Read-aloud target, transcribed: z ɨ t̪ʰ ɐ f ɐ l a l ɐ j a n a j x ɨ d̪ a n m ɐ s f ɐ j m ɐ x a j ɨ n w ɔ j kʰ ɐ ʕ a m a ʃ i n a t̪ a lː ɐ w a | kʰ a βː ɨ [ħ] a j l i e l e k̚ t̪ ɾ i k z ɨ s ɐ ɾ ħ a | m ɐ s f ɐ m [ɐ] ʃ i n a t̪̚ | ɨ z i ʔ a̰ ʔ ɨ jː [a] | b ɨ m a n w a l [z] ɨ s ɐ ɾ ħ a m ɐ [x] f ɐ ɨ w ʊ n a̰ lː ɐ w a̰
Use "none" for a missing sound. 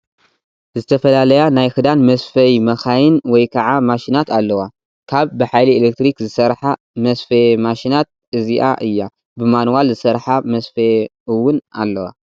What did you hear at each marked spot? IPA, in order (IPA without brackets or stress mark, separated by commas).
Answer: ħ, a, a, z, s